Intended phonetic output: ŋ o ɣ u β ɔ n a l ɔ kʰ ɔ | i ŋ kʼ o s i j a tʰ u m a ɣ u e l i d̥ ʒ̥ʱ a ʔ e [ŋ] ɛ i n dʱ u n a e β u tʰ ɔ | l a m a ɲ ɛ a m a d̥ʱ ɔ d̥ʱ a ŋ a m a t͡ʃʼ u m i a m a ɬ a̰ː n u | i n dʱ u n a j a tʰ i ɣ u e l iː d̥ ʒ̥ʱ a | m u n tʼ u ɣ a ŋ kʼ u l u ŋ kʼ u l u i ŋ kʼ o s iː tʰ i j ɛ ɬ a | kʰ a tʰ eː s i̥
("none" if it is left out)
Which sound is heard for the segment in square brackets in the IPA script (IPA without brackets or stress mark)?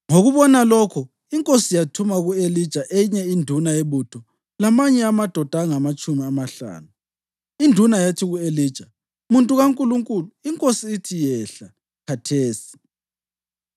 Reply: ɲ